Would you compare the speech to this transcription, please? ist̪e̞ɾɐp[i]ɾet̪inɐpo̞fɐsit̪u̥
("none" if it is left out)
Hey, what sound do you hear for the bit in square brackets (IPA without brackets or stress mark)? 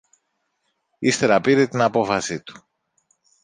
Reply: i